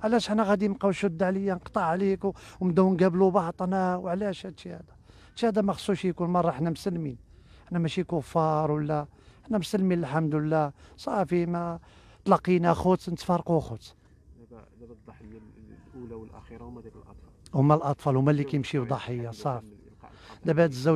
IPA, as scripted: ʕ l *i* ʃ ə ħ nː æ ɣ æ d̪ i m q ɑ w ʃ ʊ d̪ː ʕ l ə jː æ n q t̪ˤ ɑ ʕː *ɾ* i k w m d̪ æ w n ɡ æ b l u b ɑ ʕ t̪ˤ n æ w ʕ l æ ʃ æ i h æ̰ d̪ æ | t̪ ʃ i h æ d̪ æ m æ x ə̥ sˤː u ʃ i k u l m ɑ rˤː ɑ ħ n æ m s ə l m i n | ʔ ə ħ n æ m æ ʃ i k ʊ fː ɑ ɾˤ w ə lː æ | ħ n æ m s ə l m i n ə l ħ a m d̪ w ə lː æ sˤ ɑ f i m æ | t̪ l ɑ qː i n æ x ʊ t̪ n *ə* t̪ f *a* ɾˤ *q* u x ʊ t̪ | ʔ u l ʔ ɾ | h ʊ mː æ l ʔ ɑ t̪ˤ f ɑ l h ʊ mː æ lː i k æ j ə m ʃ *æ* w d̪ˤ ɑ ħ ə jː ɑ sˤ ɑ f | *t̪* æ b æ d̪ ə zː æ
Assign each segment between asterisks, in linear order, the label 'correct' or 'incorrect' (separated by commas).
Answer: incorrect, incorrect, correct, incorrect, correct, incorrect, incorrect